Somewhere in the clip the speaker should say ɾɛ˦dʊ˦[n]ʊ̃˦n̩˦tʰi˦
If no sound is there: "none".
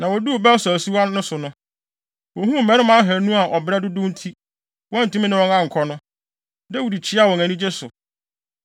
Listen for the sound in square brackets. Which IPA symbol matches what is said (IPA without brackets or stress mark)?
d